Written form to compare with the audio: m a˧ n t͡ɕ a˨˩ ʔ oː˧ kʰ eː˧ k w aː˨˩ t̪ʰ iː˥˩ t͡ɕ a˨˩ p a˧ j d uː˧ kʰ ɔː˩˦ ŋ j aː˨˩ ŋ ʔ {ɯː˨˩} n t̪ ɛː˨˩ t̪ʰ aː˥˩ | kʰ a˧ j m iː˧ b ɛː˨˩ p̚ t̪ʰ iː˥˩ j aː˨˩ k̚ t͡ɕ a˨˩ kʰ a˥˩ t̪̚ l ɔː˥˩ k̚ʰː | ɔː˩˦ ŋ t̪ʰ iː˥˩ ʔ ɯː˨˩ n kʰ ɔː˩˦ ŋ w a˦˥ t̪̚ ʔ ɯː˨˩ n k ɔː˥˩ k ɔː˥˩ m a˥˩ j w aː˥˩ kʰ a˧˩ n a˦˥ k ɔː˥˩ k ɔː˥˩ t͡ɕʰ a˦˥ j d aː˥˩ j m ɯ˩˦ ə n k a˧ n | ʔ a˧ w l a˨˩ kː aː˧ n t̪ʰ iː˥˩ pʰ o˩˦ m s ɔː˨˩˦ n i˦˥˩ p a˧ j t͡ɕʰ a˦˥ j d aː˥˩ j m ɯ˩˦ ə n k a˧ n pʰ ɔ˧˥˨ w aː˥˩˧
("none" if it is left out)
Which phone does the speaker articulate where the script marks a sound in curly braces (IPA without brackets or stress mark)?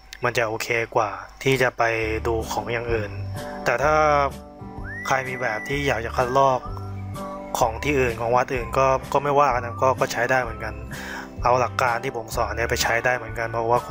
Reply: ɯː˨˩